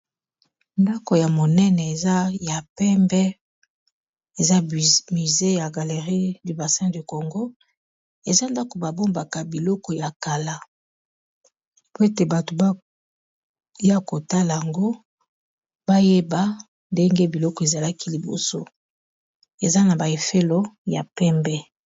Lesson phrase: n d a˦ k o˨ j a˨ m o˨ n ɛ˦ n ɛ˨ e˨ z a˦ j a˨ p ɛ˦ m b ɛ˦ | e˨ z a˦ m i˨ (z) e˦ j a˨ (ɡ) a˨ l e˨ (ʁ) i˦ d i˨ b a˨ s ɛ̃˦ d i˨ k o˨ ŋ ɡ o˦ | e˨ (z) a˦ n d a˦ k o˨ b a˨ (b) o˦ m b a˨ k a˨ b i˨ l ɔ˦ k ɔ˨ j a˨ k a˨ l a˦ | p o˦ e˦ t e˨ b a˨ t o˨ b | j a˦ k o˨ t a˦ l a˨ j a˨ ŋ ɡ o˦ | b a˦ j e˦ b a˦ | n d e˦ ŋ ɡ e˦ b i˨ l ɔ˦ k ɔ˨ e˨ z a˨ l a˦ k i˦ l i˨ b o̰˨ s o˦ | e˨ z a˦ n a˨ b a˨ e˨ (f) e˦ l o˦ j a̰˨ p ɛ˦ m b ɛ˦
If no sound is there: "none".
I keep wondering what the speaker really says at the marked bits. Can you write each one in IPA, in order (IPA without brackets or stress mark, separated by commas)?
z, ɡ, ʁ, z, b, f